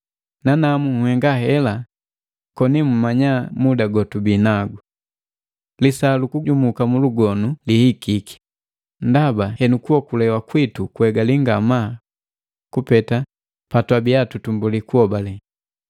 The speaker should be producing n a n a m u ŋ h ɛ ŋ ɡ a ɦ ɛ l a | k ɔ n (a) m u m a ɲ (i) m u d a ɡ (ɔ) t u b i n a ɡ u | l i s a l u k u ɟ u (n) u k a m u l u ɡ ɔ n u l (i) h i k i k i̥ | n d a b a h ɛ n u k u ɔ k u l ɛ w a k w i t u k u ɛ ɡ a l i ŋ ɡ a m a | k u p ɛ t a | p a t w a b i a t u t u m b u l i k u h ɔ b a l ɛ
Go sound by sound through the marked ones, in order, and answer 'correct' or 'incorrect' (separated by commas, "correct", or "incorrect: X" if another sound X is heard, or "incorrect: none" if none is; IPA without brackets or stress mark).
incorrect: i, incorrect: a, correct, incorrect: m, correct